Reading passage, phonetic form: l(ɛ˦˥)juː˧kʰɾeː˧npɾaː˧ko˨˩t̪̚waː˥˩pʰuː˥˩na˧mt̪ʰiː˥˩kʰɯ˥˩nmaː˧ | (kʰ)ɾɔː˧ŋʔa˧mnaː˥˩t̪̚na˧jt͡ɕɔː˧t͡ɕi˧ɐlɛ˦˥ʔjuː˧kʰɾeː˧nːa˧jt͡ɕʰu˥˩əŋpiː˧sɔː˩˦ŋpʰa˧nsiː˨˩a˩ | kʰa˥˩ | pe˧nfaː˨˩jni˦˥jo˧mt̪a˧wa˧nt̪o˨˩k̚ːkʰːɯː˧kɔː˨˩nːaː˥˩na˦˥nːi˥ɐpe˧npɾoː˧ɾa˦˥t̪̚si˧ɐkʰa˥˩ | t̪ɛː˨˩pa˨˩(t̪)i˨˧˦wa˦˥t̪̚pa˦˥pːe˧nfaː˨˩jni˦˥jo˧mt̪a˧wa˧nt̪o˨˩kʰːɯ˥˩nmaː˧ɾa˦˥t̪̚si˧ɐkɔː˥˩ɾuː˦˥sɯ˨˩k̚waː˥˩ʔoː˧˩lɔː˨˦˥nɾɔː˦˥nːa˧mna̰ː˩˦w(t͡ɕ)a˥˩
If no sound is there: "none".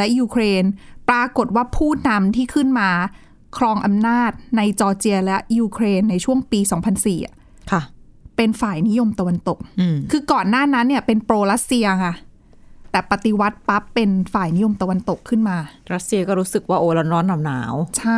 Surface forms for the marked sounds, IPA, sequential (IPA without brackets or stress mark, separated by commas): ɛ˦˥, kʰ, t̪, t͡ɕʰ